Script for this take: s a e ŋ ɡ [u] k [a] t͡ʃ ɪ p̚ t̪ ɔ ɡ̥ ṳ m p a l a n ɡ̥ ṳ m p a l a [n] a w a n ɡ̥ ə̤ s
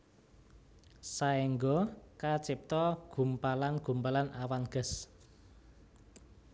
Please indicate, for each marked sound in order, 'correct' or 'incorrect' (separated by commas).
incorrect, correct, correct